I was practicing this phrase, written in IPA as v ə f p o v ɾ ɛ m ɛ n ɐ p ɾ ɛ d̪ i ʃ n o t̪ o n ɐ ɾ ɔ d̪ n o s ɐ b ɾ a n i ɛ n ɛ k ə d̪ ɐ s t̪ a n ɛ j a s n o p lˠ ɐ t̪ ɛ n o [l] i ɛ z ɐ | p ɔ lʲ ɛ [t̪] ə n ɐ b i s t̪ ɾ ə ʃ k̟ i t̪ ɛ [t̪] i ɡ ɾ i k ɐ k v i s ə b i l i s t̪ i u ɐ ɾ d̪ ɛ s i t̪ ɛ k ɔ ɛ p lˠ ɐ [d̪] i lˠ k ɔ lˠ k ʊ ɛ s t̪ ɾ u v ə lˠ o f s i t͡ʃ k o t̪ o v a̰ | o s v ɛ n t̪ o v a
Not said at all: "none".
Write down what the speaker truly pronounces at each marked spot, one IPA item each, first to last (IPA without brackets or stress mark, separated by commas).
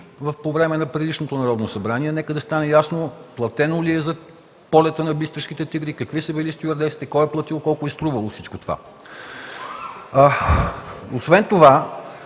l, t̪, t̪, t̪